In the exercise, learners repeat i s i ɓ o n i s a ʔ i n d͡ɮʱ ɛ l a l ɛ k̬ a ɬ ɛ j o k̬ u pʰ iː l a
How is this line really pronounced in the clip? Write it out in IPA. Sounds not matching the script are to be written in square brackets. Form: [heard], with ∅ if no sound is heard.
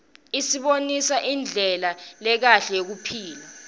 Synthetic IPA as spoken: i s i ɓ o n i s a ʔ i n d͡ɮʱ ɛ l a l ɛ k̬ a ɬ ɛ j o k̬ u pʰ iː l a